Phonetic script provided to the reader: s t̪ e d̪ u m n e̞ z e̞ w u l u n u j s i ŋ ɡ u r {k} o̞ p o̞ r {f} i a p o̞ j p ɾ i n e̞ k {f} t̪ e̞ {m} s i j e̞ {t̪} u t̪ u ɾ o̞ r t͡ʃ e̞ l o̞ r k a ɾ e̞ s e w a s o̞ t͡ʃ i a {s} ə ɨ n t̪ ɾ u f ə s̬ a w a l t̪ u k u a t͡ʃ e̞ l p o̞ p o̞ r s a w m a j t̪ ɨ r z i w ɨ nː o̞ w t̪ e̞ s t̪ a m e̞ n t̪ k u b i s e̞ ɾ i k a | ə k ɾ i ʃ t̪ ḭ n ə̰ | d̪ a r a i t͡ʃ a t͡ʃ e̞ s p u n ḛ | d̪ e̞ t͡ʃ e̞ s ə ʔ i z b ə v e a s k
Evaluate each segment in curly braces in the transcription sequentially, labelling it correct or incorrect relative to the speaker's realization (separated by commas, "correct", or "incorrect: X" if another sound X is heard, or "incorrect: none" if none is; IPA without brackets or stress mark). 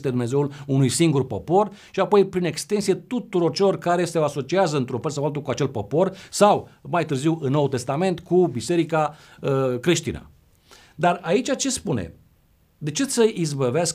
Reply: incorrect: p, incorrect: ʃ, incorrect: s, incorrect: n, correct, incorrect: z